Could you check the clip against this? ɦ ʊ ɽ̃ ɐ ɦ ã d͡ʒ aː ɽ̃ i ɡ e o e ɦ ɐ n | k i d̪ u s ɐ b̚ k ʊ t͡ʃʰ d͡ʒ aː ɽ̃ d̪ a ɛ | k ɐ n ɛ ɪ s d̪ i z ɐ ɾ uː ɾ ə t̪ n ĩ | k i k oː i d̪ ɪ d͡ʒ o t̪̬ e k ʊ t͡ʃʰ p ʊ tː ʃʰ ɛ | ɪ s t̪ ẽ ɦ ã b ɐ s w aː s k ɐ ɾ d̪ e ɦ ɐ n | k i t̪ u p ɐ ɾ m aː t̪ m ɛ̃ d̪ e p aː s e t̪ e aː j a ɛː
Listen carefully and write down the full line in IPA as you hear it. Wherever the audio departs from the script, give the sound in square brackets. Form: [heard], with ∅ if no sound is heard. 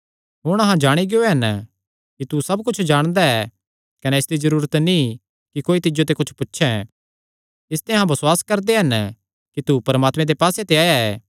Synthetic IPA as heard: ɦ ʊ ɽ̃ ɐ ɦ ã d͡ʒ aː ɽ̃ i ɡ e o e ɦ ɐ n | k i [t̪] u s ɐ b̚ k ʊ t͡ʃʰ d͡ʒ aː ɽ̃ d̪ a ɛ | k ɐ n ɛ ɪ s d̪ i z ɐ ɾ uː ɾ ə t̪ n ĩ | k i k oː i [t̪] ɪ d͡ʒ o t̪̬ e k ʊ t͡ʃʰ p ʊ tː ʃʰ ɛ | ɪ s t̪ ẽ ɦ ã b ɐ s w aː s k ɐ ɾ d̪ e ɦ ɐ n | k i t̪ u p ɐ ɾ m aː t̪ m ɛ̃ d̪ e p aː s e t̪ e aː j a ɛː